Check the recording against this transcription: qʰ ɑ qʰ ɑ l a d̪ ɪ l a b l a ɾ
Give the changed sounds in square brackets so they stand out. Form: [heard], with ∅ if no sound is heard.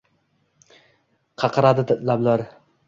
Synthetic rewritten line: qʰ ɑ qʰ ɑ [ɾ] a d̪ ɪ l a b l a ɾ